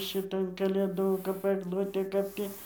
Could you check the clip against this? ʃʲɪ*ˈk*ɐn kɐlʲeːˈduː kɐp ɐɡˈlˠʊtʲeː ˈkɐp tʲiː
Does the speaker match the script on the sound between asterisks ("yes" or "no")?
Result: no